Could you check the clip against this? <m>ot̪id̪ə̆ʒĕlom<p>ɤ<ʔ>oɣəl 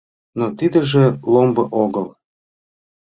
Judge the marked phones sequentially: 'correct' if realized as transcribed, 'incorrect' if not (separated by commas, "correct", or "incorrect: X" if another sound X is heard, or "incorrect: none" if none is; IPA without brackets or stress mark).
incorrect: n, incorrect: b, correct